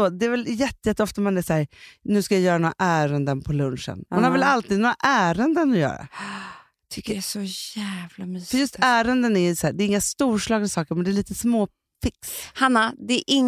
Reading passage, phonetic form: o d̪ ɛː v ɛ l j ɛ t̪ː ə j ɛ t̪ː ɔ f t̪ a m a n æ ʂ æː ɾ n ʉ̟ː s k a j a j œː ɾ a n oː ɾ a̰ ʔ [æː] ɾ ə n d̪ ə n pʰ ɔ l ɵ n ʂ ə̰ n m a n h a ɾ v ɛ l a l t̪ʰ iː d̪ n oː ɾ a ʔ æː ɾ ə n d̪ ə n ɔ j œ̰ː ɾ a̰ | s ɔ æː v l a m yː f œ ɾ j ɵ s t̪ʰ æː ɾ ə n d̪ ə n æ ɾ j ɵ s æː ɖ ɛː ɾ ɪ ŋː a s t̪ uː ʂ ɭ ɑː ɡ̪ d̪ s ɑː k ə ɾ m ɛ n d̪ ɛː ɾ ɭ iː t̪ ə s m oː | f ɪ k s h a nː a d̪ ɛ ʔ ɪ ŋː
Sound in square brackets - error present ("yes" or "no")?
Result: no